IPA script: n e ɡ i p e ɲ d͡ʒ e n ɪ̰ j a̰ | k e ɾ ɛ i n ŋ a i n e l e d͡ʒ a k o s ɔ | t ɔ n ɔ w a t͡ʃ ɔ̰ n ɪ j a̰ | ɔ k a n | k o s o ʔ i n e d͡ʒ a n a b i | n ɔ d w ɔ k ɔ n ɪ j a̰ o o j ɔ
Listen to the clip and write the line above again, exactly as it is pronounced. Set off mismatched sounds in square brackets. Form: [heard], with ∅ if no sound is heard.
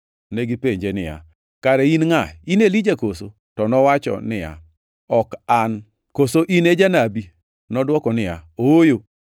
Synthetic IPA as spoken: n e ɡ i p e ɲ d͡ʒ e n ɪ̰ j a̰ | k [a] ɾ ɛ i n ŋ a i n e l [i] d͡ʒ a k o s [o] | t ɔ n ɔ w a t͡ʃ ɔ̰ n ɪ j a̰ | ɔ k a n | k o s o ʔ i n e d͡ʒ a n a b i | n ɔ d w ɔ k ɔ n ɪ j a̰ o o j [o]